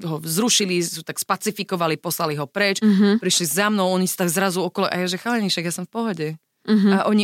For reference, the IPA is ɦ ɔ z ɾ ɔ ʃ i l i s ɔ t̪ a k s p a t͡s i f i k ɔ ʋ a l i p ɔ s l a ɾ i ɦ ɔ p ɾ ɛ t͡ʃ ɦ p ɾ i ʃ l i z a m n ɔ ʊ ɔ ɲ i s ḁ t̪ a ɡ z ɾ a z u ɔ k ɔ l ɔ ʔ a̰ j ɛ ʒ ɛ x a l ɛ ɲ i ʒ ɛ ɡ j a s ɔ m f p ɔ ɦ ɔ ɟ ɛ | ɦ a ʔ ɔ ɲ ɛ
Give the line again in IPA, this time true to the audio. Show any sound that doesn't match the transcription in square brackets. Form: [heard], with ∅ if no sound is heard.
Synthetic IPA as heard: ɦ ɔ z ɾ [u] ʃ i l i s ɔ t̪ a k s p a t͡s i f i k ɔ ʋ a l i p ɔ s l a [l] i ɦ ɔ p ɾ ɛ t͡ʃ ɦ p ɾ i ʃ l i z a m n ɔ ʊ ɔ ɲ i s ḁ t̪ a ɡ z ɾ a z u ɔ k ɔ l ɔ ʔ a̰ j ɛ ʒ ɛ x a l ɛ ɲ i [ʃ] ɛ ɡ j a s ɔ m f p ɔ ɦ ɔ ɟ ɛ | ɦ a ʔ ɔ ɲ [i]